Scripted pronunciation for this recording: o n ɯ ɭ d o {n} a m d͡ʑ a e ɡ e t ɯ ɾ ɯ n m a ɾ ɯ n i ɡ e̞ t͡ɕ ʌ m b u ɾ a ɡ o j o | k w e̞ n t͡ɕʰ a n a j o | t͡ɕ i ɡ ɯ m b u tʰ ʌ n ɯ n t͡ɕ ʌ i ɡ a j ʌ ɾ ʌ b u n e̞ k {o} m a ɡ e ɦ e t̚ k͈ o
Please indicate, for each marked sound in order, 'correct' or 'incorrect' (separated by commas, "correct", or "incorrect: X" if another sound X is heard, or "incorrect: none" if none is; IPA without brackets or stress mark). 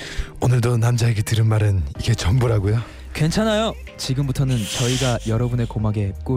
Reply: correct, correct